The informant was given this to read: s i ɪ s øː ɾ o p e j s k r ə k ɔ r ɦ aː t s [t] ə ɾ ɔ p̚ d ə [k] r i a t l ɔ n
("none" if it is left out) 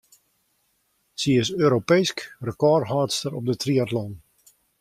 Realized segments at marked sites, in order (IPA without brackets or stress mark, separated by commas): t, t